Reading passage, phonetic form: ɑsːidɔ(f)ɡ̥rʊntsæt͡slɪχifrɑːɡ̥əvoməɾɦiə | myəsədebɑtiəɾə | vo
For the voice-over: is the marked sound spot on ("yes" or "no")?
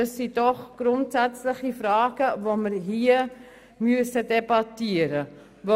no